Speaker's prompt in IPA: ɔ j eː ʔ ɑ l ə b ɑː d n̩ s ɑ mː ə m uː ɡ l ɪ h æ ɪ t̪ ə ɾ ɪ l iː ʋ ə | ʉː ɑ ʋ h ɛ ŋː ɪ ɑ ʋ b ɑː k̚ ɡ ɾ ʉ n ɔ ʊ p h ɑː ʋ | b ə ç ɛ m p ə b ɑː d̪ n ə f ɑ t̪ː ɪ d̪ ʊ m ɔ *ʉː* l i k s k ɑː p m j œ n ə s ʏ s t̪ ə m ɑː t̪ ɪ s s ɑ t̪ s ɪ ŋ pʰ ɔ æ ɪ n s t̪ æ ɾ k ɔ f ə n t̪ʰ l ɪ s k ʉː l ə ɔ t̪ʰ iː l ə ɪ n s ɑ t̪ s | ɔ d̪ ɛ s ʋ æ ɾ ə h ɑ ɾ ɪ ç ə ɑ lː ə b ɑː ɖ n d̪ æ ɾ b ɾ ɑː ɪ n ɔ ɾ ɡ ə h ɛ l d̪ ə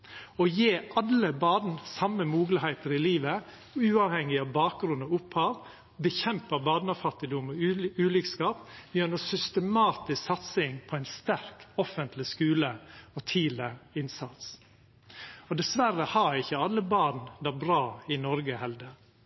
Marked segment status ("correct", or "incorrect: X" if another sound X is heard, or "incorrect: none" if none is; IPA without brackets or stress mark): correct